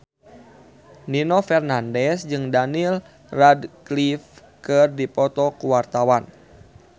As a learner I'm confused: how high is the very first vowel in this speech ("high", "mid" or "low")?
high